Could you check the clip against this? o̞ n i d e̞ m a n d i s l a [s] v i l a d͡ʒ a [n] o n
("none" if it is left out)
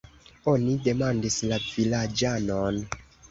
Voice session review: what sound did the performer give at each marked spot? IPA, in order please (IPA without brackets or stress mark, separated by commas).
none, n